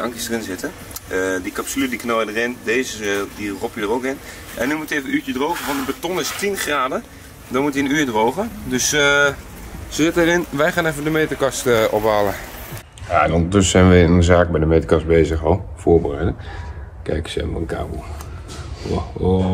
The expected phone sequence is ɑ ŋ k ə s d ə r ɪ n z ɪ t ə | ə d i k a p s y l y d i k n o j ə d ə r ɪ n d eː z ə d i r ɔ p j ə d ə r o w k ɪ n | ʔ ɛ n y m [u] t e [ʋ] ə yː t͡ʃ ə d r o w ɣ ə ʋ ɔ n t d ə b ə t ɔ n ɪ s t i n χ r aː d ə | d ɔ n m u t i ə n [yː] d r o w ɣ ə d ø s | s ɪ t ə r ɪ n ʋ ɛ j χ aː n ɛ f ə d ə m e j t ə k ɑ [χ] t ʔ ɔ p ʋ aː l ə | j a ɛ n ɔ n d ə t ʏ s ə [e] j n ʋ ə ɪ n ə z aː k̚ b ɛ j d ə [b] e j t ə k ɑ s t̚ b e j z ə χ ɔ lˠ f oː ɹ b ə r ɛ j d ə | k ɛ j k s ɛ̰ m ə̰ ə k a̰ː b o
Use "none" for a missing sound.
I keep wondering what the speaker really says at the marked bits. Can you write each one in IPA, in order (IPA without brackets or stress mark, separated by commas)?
u, v, yː, s, ɛ, m